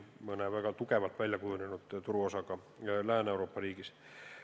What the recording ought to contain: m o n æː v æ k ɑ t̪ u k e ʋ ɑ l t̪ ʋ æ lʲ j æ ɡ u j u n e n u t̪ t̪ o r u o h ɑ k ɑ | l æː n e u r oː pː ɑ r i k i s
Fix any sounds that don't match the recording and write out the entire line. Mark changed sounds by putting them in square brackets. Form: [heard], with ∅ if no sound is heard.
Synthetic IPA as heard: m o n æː [ʋ] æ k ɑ t̪ u k e ʋ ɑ l t̪ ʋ æ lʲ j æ [k] u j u n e n u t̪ t̪ [u] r u o [s] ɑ k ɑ | l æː n e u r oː pː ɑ r [iː] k i s